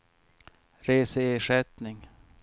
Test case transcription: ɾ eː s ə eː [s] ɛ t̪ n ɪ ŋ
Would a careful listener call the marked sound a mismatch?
yes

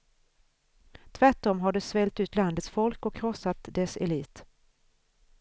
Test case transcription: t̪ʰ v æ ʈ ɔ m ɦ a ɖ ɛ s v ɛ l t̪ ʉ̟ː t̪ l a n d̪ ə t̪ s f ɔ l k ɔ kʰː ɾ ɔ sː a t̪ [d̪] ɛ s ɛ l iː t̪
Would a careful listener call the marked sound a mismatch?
no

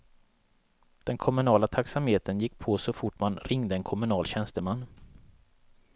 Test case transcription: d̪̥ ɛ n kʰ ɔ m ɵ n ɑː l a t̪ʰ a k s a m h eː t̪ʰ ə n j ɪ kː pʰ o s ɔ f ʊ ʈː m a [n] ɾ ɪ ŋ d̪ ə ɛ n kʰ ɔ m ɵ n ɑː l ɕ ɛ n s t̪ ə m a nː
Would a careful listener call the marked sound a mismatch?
no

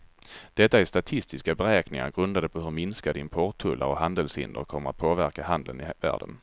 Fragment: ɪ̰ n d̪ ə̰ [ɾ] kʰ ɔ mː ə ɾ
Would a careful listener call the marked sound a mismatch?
no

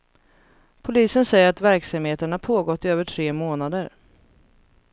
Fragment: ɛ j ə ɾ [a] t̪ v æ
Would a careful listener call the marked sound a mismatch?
no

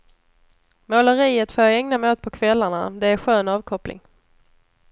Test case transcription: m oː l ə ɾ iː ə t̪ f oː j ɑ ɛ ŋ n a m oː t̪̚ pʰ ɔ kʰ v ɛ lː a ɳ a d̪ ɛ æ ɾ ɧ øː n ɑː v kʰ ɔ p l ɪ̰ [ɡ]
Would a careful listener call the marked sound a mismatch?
yes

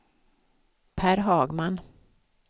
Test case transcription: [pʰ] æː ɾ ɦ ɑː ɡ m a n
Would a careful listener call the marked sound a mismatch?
no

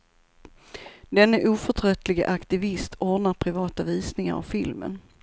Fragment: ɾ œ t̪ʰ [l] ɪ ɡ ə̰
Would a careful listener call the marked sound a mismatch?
no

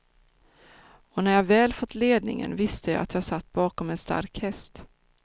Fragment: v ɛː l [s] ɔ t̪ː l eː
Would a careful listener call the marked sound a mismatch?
yes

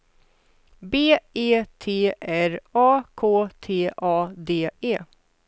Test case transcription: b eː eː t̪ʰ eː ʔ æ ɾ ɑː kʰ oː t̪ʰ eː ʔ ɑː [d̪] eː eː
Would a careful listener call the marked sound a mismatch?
no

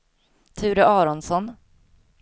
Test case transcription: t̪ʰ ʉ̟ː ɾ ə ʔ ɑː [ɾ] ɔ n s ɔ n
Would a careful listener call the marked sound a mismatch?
no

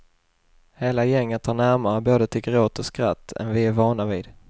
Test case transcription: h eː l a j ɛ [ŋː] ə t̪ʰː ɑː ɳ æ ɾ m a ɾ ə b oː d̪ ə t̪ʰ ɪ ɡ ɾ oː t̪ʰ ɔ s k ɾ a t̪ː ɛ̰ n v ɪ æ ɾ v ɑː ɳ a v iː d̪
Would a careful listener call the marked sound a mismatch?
no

